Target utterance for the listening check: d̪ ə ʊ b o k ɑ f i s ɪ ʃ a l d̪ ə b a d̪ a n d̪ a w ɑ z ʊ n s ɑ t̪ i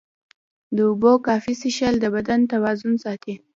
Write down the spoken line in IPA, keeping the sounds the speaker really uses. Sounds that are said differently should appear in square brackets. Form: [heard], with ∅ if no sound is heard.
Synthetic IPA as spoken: d̪ ə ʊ b o k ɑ f i s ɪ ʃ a l d̪ ə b a d̪ a n [t̪] a w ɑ z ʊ n s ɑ t̪ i